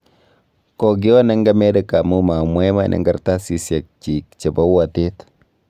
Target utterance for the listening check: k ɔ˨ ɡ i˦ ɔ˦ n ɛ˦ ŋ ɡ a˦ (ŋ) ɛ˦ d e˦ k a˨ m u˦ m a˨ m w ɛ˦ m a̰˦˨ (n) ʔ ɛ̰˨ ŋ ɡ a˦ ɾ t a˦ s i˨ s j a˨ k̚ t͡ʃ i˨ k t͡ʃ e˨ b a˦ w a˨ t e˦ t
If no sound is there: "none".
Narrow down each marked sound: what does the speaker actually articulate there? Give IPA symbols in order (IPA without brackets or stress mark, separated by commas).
m, n